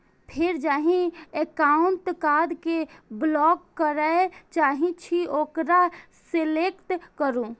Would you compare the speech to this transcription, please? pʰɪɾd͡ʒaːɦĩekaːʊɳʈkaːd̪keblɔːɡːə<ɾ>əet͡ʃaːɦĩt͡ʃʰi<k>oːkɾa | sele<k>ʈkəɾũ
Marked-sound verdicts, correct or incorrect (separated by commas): correct, incorrect, correct